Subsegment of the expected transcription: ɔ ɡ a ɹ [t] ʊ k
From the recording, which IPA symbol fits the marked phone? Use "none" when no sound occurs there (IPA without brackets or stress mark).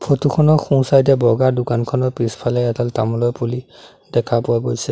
d